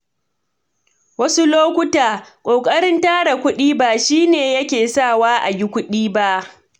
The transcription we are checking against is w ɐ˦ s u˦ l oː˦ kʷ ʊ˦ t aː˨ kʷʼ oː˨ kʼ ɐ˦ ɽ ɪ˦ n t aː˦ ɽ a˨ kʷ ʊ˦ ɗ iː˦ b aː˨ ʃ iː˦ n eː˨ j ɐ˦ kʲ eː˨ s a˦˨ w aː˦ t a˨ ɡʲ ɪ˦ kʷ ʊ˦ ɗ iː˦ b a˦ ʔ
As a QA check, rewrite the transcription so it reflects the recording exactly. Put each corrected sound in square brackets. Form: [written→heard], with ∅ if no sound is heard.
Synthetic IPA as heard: w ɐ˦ s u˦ l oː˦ kʷ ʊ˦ t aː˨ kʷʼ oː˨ kʼ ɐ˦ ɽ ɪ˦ n t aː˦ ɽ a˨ kʷ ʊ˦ ɗ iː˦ b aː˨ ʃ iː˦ n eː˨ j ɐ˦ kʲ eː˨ s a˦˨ w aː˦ [t→ʔ] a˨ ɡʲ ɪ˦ kʷ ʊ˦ ɗ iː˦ b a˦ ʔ